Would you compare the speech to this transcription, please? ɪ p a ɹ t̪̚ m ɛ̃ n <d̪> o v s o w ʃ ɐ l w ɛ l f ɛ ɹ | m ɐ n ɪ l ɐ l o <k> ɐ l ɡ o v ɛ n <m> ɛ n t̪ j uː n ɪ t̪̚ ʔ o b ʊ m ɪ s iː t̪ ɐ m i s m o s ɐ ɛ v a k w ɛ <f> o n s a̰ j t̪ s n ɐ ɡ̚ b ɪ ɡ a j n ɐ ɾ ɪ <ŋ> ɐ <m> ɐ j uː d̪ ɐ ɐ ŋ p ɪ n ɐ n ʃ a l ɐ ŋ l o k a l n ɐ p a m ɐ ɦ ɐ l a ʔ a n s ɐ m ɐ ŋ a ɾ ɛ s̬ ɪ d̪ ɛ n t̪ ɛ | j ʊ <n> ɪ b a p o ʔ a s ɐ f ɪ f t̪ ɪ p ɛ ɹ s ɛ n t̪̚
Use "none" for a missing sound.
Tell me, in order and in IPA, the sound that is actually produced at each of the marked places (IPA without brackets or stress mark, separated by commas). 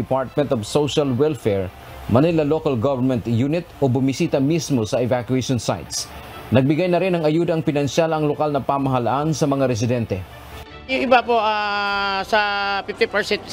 t̪, k, m, ʃ, n, ŋ, ŋ